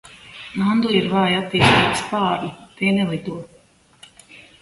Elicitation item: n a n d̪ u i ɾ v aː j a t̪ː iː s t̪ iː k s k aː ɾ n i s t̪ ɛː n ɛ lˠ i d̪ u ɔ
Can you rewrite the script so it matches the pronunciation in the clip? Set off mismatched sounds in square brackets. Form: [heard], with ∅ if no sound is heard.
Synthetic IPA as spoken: n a n d̪ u i ɾ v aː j a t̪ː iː s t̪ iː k s [p] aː ɾ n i [∅] t̪ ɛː n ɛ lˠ i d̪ u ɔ